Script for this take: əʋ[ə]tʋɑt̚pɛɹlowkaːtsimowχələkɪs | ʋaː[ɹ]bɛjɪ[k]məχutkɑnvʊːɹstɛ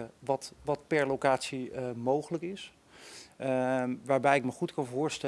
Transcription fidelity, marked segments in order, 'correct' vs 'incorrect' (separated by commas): incorrect, correct, correct